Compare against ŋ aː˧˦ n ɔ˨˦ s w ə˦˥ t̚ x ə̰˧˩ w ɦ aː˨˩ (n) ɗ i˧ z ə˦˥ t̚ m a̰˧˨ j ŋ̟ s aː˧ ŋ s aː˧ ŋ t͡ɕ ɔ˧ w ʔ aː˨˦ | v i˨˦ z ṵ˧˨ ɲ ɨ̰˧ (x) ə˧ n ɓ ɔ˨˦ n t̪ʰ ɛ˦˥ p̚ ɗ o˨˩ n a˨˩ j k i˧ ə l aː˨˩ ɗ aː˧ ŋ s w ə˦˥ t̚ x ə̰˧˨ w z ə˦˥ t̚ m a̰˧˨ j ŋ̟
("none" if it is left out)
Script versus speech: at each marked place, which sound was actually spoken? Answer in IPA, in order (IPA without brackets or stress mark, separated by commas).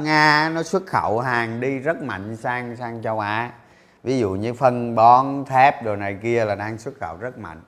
ŋ, f